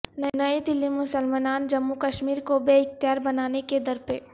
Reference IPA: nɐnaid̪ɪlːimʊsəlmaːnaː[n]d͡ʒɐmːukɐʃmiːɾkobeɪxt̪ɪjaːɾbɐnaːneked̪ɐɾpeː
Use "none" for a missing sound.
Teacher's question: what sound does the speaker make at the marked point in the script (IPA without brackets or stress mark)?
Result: n